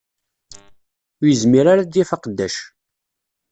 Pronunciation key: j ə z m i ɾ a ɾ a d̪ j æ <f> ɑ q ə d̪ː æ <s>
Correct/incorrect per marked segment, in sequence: correct, incorrect

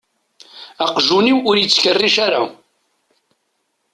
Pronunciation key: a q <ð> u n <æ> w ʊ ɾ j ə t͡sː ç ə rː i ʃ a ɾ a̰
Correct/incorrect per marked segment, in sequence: incorrect, incorrect

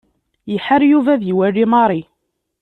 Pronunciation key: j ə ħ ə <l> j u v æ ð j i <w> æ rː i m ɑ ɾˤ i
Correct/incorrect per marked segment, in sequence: incorrect, correct

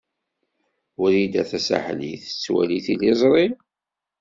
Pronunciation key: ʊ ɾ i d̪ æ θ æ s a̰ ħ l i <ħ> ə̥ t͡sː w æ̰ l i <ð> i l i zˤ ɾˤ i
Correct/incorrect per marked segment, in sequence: incorrect, incorrect

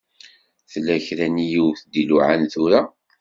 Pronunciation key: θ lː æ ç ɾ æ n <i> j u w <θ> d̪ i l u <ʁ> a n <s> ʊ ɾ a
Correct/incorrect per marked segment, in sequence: correct, correct, incorrect, incorrect

